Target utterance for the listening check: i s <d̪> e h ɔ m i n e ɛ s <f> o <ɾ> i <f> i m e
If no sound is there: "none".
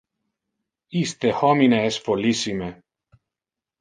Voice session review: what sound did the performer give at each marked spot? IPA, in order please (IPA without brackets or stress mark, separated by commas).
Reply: t̪, f, l, s